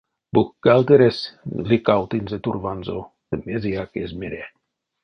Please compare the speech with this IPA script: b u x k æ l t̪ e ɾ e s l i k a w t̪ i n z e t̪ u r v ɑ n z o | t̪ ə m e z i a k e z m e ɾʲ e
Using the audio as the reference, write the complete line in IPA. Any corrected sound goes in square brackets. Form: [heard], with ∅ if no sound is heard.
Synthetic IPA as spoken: b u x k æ l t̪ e ɾ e s l i k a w t̪ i n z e t̪ u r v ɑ n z o | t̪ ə m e z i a k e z m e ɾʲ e